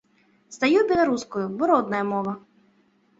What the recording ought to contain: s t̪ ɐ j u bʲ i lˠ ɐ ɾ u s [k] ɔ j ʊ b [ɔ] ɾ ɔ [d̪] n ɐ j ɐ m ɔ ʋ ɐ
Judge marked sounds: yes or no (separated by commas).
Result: yes, yes, yes